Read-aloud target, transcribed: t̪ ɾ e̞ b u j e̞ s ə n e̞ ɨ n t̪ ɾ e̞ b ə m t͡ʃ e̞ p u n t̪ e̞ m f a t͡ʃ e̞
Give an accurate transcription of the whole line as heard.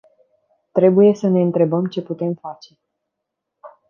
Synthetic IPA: t̪ ɾ e̞ b u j e̞ s ə n e̞ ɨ n t̪ ɾ e̞ b ə m t͡ʃ e̞ p u t̪ e̞ m f a t͡ʃ e̞